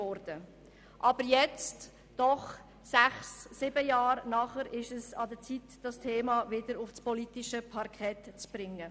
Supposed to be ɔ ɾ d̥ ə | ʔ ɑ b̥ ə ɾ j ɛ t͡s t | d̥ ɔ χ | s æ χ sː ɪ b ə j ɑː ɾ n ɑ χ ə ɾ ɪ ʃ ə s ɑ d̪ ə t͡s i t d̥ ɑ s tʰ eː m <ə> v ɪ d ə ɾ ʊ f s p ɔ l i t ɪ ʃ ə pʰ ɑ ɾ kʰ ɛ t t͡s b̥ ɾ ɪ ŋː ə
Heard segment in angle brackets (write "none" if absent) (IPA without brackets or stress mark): ɑ